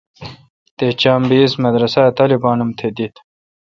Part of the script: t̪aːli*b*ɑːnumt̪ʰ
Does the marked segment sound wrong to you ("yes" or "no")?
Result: no